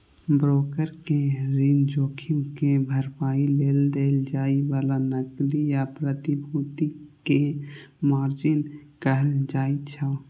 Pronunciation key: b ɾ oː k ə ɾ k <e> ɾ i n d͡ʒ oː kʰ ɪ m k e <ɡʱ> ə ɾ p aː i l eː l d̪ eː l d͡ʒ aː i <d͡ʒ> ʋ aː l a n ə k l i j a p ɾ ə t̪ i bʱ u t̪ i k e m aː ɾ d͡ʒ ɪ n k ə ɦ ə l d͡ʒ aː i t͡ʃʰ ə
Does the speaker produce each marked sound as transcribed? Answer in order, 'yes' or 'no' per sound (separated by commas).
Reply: yes, no, no